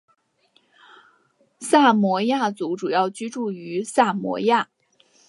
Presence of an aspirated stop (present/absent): absent